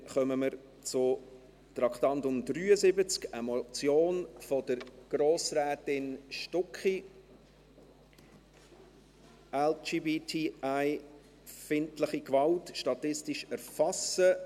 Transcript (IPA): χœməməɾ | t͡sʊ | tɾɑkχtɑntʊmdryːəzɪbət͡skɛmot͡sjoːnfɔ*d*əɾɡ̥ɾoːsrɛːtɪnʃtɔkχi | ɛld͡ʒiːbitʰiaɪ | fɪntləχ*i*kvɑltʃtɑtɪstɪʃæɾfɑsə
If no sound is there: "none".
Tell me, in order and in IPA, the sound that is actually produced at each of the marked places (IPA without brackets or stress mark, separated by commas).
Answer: d, i